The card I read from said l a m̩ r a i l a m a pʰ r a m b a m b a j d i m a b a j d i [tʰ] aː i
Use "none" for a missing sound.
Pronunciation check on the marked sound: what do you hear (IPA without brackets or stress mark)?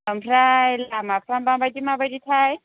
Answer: tʰ